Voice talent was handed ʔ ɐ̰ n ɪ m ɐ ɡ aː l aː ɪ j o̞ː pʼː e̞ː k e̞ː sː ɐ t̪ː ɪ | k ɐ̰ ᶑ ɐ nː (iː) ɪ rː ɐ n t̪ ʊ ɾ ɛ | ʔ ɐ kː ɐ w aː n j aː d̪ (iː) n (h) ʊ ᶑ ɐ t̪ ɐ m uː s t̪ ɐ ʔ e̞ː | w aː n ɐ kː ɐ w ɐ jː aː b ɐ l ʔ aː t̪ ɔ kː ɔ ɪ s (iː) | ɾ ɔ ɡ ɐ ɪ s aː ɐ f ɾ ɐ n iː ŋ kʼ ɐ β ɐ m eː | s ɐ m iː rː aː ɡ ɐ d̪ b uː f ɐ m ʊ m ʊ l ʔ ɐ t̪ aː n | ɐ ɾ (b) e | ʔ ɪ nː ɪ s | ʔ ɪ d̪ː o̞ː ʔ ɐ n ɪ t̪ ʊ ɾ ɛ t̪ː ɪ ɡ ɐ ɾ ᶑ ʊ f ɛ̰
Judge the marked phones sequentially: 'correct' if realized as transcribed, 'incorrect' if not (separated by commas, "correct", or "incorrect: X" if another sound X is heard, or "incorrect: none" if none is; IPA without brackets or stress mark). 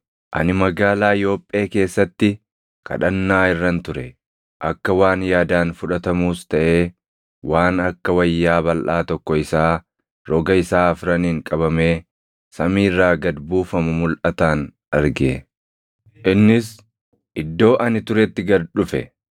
incorrect: aː, incorrect: aː, incorrect: f, incorrect: aː, incorrect: ɡ